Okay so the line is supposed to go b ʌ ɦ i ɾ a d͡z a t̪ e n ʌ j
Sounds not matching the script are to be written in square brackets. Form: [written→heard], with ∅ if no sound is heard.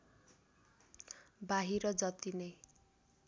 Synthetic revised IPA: b [ʌ→a] ɦ i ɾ [a→ʌ] d͡z [a→ʌ] t̪ [e→i] n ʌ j